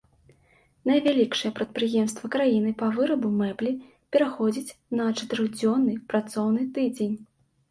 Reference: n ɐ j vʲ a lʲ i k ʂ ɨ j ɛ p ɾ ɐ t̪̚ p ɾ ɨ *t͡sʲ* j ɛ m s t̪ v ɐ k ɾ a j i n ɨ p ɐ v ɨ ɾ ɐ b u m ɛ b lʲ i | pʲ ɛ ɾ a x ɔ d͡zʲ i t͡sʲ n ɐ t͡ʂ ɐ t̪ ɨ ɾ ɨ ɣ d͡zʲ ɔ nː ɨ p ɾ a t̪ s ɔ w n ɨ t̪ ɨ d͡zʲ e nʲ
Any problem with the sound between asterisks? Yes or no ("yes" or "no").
yes